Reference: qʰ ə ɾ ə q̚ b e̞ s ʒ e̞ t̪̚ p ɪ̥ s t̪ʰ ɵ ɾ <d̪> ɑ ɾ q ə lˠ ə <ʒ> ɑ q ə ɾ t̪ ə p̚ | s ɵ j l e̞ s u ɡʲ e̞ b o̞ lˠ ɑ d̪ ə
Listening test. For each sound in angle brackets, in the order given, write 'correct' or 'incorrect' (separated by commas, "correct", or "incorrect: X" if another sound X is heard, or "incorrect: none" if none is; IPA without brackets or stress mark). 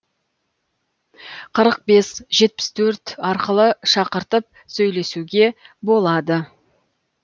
incorrect: t̪, incorrect: ʃ